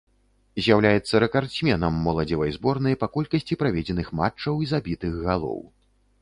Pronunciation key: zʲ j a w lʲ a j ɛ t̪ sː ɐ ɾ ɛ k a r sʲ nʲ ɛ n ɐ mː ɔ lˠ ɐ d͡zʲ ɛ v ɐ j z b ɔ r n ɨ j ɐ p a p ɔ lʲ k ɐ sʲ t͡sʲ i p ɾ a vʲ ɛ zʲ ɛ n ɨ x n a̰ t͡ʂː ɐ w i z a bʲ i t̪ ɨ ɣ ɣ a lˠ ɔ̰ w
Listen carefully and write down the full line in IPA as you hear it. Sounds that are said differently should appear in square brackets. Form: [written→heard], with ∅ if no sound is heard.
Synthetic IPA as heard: zʲ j a w lʲ a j ɛ t̪ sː ɐ ɾ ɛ k a r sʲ [nʲ→mʲ] ɛ n ɐ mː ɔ lˠ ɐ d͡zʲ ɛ v ɐ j z b ɔ r n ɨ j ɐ p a [p→k] ɔ lʲ k ɐ sʲ t͡sʲ i p ɾ a vʲ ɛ [zʲ→d͡zʲ] ɛ n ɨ x [n→m] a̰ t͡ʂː ɐ w i z a bʲ i t̪ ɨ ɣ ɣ a lˠ ɔ̰ w